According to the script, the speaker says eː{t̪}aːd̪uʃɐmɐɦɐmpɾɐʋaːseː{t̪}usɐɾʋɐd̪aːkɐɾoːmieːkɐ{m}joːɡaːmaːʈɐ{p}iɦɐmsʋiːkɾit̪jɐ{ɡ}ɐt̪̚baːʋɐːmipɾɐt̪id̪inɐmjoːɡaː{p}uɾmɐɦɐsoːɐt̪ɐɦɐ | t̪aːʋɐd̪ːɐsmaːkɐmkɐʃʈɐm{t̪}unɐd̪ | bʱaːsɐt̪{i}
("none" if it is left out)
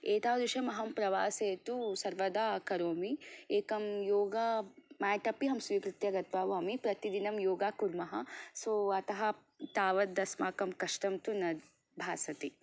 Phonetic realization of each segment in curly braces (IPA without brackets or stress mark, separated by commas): t̪, t̪, m, p, ɡ, k, t̪, i